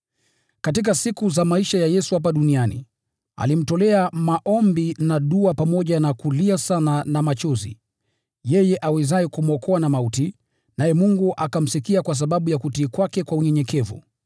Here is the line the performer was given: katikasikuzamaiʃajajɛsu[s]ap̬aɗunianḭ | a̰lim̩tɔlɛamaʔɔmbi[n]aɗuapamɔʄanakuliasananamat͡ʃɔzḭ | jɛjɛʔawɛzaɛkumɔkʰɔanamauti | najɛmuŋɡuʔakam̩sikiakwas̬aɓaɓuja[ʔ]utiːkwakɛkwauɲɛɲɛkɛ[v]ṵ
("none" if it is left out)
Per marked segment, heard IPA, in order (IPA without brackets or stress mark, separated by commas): h, n, k, v